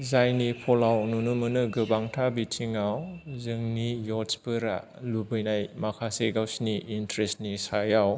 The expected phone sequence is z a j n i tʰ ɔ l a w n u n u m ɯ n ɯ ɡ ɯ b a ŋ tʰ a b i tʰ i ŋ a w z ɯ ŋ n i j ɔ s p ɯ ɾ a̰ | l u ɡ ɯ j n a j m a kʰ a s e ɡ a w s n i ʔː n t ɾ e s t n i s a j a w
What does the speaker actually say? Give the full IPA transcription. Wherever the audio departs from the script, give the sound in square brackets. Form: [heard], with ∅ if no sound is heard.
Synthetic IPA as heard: z a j n i [pʰ] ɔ l a w n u n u m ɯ n ɯ ɡ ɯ b a ŋ tʰ a b i tʰ i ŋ a w z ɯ ŋ n i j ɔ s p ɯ ɾ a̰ | l u [b] ɯ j n a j m a kʰ a s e ɡ a w s n i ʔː n t ɾ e s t n i s a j a w

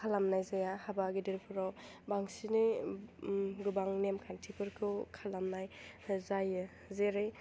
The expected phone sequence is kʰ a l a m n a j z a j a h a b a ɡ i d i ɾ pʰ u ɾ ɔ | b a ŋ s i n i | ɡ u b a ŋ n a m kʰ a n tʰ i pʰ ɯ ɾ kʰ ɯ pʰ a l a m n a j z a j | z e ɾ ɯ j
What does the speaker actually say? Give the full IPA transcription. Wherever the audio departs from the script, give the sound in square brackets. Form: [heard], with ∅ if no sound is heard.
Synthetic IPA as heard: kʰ a l a m n a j z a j a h a b a ɡ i d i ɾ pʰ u ɾ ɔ | b a ŋ s i n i | ɡ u b a ŋ n [e] m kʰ a n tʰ i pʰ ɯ ɾ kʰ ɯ [kʰ] a l a m n a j z a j | z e ɾ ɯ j

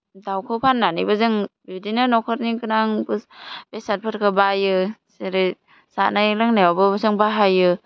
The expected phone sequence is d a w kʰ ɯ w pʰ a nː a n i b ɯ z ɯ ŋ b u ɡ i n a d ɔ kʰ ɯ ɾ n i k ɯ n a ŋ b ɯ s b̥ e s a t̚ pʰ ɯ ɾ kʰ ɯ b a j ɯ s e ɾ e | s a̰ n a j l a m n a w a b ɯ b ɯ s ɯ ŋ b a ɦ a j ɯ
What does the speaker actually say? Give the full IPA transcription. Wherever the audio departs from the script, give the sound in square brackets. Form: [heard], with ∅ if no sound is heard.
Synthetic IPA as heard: d a w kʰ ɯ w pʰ a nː a n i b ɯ z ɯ ŋ b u [d] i n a [n] ɔ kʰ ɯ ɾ n i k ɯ n a ŋ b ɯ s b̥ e s a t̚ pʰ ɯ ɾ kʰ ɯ b a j ɯ s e ɾ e | s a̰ n a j l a [ŋ] n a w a b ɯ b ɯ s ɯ ŋ b a ɦ a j ɯ

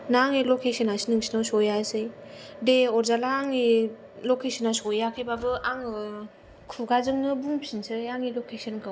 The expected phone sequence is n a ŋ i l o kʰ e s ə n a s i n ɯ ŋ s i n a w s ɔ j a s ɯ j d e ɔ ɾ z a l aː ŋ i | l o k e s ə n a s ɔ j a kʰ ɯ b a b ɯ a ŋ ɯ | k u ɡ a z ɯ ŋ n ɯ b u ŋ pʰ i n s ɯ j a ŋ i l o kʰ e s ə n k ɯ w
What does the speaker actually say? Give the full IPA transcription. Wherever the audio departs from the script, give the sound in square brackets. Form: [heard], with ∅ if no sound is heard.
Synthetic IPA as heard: n a ŋ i l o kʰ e s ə n a s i n ɯ ŋ s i n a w s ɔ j a s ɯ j d e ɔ ɾ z a l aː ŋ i | l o k e s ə n a s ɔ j a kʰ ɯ b a b ɯ a ŋ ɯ | [kʰ] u ɡ a z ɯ ŋ n ɯ b u ŋ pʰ i n s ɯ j a ŋ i l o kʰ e s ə n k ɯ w

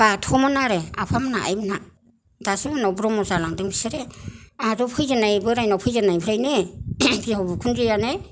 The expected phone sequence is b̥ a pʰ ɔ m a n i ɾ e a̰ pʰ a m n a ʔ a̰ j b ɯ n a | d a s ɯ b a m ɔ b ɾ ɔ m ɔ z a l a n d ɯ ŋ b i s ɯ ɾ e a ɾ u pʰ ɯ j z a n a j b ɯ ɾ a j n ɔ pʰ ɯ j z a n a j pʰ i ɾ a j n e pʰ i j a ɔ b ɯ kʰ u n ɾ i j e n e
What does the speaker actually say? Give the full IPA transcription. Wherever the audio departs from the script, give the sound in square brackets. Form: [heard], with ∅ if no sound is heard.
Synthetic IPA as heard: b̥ a [tʰ] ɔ m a n [a] ɾ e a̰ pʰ a m n a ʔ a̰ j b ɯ n a | d a s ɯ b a [n] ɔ b ɾ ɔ m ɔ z a l a [ŋ] d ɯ ŋ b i s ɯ ɾ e a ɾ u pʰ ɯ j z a n a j b ɯ ɾ a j n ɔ pʰ ɯ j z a n a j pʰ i ɾ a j n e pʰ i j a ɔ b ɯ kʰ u n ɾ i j [a] n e

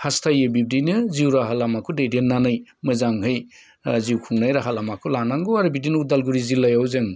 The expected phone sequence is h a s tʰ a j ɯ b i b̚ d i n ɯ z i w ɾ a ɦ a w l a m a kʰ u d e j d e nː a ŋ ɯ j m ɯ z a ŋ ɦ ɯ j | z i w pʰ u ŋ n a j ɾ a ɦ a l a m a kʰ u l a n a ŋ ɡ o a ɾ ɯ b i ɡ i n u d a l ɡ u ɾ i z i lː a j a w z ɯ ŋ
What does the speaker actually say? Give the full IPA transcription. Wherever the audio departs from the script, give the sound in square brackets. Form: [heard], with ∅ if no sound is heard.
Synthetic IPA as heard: h a s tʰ a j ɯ b i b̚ d i n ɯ z i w ɾ a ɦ a [∅] l a m a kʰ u d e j d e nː a [n] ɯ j m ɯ z a ŋ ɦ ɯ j | z i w [kʰ] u ŋ n a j ɾ a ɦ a l a m a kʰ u l a n a ŋ ɡ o a ɾ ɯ b i [d] i n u d a l ɡ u ɾ i z i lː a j a w z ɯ ŋ

